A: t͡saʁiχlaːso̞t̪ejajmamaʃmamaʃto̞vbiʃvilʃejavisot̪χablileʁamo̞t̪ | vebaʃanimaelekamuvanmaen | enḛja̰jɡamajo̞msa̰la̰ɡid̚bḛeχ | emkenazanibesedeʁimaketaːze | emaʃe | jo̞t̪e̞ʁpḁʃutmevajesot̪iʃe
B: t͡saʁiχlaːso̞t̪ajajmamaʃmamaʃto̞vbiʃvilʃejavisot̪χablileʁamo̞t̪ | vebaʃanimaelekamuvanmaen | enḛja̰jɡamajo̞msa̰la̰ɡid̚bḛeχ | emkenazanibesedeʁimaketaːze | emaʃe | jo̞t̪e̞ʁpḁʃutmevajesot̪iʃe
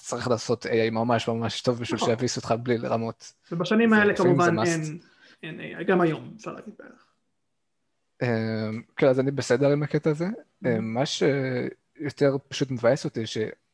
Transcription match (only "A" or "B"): A